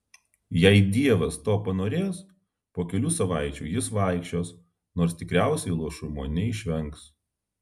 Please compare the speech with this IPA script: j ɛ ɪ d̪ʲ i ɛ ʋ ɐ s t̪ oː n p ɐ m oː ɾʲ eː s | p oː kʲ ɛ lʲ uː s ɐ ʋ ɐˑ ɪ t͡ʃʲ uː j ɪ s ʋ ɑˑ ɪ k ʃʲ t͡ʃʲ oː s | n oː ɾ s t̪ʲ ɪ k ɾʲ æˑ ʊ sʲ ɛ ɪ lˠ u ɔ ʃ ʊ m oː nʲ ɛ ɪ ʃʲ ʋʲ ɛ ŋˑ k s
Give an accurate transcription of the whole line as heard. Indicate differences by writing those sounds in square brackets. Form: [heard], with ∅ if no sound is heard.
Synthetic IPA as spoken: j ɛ ɪ d̪ʲ i ɛ ʋ ɐ s t̪ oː [∅] p ɐ [n] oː ɾʲ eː s | p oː kʲ ɛ lʲ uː s ɐ ʋ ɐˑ ɪ t͡ʃʲ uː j ɪ s ʋ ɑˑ ɪ k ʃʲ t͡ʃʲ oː s | n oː ɾ s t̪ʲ ɪ k ɾʲ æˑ ʊ sʲ ɛ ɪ lˠ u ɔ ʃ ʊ m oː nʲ ɛ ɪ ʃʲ ʋʲ ɛ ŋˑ k s